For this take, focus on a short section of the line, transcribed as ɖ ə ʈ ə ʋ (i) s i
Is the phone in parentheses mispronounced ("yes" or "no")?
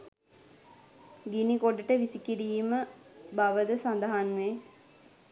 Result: no